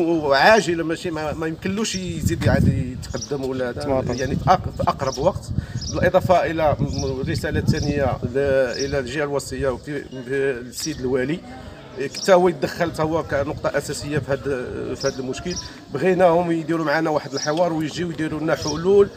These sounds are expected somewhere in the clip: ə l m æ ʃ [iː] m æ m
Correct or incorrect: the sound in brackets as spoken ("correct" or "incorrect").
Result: incorrect